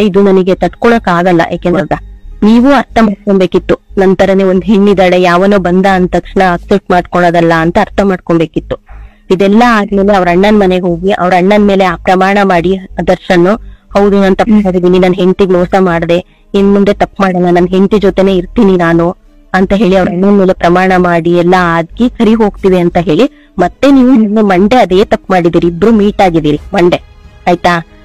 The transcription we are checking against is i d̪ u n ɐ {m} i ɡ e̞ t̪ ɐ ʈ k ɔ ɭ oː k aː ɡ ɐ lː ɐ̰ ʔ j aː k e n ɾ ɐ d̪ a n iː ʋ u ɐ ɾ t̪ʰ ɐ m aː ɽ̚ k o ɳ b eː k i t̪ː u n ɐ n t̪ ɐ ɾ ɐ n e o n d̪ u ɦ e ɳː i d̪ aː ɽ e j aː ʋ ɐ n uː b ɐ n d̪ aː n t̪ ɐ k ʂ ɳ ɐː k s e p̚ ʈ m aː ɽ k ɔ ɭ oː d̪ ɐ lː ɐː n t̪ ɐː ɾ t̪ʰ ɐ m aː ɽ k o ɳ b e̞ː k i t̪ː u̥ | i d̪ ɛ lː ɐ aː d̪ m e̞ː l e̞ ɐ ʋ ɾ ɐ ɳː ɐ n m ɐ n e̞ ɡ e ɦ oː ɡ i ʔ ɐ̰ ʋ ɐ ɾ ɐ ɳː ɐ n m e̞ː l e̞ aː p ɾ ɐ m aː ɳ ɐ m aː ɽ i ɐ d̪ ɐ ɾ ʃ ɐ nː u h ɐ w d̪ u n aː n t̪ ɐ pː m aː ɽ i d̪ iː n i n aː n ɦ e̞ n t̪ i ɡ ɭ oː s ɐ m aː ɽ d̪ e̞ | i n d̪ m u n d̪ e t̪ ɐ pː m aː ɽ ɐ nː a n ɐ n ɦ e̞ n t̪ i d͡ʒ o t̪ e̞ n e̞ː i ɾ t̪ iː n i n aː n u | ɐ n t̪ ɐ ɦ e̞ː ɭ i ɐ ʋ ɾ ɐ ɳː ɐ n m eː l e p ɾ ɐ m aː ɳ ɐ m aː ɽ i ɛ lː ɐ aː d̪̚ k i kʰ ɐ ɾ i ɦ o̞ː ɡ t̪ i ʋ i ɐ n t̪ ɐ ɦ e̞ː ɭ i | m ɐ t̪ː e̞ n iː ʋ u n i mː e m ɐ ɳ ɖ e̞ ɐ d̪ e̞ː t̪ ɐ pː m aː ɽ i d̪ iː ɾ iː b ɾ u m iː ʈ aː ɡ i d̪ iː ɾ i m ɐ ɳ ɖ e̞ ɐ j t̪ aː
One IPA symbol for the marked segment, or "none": n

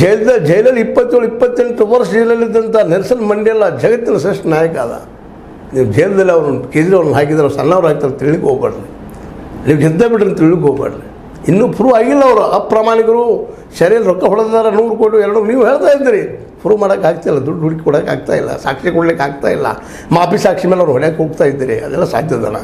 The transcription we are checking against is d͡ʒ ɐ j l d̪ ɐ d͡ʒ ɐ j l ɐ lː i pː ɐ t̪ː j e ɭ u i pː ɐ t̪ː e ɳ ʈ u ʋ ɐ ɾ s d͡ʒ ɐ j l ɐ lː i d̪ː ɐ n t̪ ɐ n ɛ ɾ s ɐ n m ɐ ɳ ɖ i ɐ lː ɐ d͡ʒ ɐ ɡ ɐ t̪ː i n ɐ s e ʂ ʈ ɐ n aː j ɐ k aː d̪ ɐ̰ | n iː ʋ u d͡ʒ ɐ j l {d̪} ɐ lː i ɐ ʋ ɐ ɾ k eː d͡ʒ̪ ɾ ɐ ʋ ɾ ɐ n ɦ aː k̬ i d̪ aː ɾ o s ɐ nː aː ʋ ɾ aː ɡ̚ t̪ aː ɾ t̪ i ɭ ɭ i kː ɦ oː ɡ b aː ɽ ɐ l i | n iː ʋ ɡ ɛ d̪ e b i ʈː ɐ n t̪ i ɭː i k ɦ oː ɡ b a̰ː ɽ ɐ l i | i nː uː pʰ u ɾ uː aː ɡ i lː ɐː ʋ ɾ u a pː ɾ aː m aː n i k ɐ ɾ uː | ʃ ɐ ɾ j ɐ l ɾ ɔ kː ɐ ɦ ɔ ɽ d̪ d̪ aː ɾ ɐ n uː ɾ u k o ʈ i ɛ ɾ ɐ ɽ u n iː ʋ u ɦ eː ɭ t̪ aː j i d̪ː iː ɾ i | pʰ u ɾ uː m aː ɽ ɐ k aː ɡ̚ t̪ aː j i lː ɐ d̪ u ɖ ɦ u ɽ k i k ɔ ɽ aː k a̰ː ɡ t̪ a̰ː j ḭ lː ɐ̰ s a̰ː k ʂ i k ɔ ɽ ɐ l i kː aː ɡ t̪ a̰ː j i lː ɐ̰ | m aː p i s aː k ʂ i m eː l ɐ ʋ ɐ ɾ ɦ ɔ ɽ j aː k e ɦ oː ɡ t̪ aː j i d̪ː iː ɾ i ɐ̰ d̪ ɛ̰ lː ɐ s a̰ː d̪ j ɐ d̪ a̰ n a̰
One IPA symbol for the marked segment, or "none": d̪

